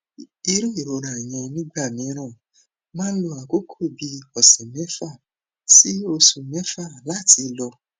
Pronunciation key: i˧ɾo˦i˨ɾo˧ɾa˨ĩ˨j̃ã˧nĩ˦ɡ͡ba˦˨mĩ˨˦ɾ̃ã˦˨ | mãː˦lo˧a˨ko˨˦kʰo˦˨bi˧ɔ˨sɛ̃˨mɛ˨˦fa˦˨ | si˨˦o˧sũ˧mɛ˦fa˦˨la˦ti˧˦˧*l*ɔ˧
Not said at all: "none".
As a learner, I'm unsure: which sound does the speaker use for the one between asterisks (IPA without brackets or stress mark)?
l